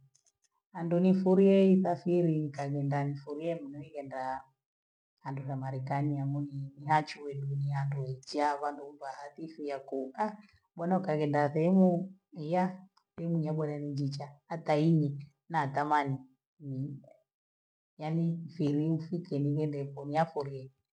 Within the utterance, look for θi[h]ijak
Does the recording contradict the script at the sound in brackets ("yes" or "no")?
yes